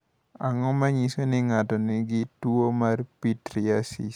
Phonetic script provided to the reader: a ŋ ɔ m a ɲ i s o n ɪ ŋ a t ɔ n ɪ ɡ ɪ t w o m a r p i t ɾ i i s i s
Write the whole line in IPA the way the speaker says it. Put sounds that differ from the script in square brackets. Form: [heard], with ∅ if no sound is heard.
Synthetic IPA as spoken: a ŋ ɔ m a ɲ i s o n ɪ ŋ a t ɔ n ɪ ɡ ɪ t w o m a r p i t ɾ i [a] s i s